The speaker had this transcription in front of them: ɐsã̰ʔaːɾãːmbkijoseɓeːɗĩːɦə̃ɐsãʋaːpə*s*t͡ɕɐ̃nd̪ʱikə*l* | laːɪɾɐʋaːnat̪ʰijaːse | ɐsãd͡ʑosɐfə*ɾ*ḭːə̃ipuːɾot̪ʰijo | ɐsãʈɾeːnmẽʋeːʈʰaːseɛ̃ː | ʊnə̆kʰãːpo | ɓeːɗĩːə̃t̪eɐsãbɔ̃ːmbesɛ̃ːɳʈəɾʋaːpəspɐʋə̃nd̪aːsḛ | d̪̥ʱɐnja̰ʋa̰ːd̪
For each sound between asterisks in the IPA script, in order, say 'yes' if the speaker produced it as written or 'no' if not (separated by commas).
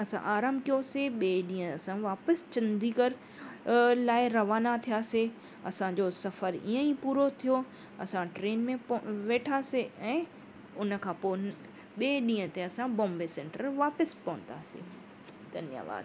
yes, no, yes